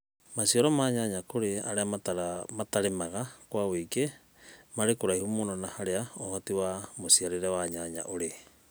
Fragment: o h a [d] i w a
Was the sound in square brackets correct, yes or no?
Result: no